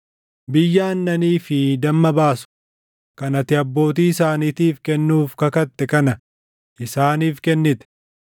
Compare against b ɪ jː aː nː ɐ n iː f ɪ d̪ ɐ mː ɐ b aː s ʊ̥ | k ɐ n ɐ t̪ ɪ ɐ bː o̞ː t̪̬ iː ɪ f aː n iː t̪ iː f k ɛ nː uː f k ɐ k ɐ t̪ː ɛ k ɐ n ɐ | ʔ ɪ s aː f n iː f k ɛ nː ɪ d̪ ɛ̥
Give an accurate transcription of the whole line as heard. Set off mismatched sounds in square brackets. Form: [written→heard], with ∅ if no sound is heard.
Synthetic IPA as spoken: b ɪ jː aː nː ɐ n iː f ɪ d̪ ɐ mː ɐ b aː s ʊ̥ | k ɐ n ɐ t̪ ɪ ɐ bː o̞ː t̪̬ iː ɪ [f→s] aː n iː t̪ iː f k ɛ nː uː f k ɐ k ɐ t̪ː ɛ k ɐ n ɐ | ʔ ɪ s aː [f→∅] n iː f k ɛ nː ɪ [d̪→t̪] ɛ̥

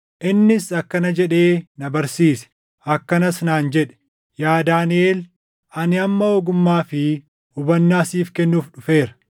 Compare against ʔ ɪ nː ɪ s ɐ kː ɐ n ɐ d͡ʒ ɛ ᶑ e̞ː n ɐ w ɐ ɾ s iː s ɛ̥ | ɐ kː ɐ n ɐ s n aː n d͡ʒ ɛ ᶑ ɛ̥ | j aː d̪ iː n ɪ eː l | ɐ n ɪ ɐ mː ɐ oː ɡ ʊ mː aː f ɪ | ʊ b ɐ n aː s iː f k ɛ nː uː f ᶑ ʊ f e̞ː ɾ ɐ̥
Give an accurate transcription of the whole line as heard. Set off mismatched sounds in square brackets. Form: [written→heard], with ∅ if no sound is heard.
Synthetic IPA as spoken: ʔ ɪ nː ɪ s ɐ kː ɐ n ɐ d͡ʒ ɛ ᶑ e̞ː n ɐ [w→b] ɐ ɾ s iː s ɛ̥ | ɐ kː ɐ n ɐ s n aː n d͡ʒ ɛ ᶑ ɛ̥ | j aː d̪ [iː→aː] n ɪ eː l | ɐ n ɪ ɐ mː ɐ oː ɡ ʊ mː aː f ɪ | ʊ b ɐ [n→nː] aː s iː f k ɛ nː uː f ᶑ ʊ f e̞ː ɾ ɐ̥

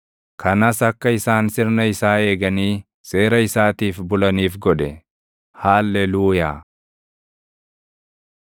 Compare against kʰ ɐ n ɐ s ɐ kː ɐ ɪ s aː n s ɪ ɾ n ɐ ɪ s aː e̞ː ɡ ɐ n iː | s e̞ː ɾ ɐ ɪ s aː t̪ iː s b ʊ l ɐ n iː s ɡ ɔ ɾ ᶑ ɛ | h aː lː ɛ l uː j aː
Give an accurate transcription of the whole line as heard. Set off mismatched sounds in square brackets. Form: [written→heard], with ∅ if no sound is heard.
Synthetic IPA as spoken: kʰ ɐ n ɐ s ɐ kː ɐ ɪ s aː n s ɪ ɾ n ɐ ɪ s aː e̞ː ɡ ɐ n iː | s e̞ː ɾ ɐ ɪ s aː t̪ iː [s→f] b ʊ l ɐ n iː [s→f] ɡ ɔ [ɾ→∅] ᶑ ɛ | h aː lː ɛ l uː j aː

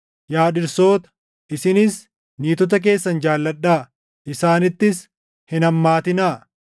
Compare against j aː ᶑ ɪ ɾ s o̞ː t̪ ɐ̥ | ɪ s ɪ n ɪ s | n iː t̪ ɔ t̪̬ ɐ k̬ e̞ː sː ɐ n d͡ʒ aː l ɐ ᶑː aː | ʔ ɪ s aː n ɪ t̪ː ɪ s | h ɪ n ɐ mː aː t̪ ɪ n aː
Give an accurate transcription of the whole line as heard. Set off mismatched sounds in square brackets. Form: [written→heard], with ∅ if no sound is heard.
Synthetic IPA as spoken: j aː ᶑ ɪ ɾ s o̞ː t̪ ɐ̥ | ɪ s ɪ n ɪ s | n iː t̪ ɔ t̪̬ ɐ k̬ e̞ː sː ɐ n d͡ʒ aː [l→lː] ɐ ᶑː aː | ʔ ɪ s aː n ɪ t̪ː ɪ s | h ɪ n ɐ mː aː t̪ ɪ n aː

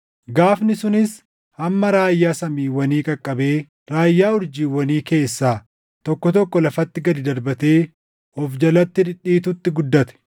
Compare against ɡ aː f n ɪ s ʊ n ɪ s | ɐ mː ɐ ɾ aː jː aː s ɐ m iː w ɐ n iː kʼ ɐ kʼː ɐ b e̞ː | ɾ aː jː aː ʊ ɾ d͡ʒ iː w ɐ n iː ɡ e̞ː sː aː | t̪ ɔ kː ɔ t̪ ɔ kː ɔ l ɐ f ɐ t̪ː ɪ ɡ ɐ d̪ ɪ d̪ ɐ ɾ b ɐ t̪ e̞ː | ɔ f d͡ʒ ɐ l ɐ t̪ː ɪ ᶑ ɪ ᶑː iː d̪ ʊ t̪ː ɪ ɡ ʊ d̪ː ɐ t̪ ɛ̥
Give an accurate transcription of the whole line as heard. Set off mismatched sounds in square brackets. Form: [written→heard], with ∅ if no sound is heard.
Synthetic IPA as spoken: ɡ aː f n ɪ s ʊ n ɪ s | ɐ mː ɐ ɾ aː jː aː s ɐ m iː w ɐ n iː kʼ ɐ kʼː ɐ b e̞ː | ɾ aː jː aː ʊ ɾ d͡ʒ iː w ɐ n iː [ɡ→k] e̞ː sː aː | t̪ ɔ kː ɔ t̪ ɔ kː ɔ l ɐ f ɐ t̪ː ɪ ɡ ɐ d̪ ɪ d̪ ɐ ɾ b ɐ t̪ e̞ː | ɔ f d͡ʒ ɐ l ɐ t̪ː ɪ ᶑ ɪ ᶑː iː [d̪→t̪] ʊ t̪ː ɪ ɡ ʊ d̪ː ɐ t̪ ɛ̥

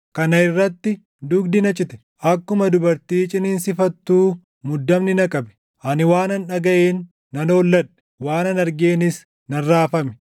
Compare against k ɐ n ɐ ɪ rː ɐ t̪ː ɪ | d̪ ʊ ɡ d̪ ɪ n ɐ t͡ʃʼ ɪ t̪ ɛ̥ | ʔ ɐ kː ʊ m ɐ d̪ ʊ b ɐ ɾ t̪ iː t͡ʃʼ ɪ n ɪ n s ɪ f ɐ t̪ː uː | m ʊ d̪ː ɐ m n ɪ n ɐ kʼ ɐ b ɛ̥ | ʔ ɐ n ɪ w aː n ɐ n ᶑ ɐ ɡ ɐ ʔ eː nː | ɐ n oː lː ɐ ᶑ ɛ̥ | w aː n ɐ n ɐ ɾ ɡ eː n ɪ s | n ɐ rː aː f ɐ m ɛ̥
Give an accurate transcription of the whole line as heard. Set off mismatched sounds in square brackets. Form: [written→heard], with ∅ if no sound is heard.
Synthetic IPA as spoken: k ɐ n ɐ ɪ rː ɐ t̪ː ɪ | d̪ ʊ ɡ d̪ ɪ n ɐ t͡ʃʼ ɪ t̪ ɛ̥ | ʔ ɐ kː ʊ m ɐ d̪ ʊ b ɐ ɾ t̪ iː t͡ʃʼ ɪ n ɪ n s ɪ f ɐ t̪ː uː | m ʊ d̪ː ɐ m n ɪ n ɐ kʼ ɐ b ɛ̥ | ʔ ɐ n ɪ w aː n ɐ n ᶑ ɐ ɡ ɐ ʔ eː nː | ɐ n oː lː ɐ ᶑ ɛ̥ | w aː n ɐ n ɐ ɾ ɡ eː n ɪ s | n ɐ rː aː f ɐ m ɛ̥

